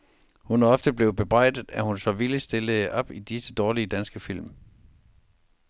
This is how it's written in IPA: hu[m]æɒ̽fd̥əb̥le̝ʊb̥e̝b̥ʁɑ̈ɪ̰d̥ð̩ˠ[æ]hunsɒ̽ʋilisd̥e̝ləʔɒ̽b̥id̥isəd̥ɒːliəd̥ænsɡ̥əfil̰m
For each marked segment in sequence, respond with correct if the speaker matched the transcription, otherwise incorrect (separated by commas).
incorrect, correct